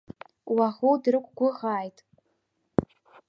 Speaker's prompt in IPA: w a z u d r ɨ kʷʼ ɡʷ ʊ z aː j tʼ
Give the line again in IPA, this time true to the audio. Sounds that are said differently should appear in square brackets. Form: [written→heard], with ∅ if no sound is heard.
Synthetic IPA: w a [z→ʁ] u d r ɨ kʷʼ ɡʷ ʊ [z→ʁ] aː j tʼ